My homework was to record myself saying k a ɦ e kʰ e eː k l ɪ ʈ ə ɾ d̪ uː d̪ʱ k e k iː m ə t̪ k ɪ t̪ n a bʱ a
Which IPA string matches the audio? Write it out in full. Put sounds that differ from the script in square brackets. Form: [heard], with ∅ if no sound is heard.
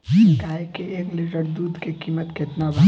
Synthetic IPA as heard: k a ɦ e [k] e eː k l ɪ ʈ ə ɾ d̪ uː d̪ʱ k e k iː m ə t̪ k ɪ t̪ n a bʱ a